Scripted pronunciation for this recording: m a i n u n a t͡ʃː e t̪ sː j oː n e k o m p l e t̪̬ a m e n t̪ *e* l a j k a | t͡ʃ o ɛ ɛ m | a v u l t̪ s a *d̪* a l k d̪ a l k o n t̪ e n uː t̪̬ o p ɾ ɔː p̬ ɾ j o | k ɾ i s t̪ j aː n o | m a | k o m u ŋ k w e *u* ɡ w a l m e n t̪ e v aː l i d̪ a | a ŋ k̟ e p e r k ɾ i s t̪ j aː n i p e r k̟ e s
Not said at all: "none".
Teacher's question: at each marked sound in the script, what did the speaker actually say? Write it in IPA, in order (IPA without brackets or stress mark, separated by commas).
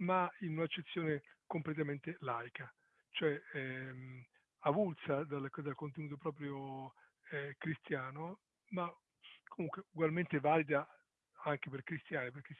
e, d̪, u